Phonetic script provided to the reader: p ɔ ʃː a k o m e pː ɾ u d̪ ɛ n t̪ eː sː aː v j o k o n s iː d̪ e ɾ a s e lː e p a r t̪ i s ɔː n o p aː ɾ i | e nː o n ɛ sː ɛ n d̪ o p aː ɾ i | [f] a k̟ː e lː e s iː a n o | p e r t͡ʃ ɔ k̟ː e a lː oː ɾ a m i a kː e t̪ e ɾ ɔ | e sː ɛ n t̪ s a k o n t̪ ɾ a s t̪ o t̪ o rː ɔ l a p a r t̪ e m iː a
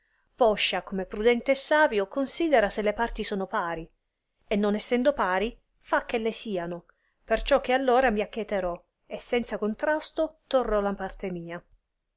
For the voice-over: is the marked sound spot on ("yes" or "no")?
yes